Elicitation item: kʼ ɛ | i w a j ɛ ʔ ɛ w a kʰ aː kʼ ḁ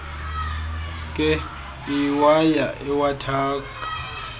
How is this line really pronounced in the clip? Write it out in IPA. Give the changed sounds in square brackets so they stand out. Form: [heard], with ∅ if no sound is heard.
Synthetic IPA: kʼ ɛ | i w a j [a] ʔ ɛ w a [tʰ] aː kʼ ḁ